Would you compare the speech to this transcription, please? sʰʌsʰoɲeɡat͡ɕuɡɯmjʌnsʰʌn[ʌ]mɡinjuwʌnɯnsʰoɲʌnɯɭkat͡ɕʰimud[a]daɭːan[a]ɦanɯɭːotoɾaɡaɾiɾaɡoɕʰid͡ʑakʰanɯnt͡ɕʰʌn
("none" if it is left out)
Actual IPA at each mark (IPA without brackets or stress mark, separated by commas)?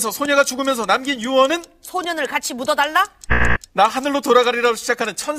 a, ʌ, a